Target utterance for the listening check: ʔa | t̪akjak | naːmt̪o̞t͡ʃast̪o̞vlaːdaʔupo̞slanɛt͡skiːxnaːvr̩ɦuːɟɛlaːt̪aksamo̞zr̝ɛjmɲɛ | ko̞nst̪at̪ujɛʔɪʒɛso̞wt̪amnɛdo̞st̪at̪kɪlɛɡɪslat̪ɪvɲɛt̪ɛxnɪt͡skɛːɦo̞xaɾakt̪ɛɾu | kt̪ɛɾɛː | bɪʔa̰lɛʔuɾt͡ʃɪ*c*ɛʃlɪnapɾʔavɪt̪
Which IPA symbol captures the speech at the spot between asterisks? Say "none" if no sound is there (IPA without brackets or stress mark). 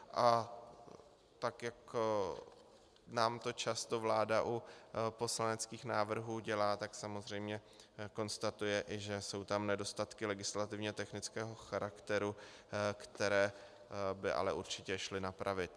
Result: c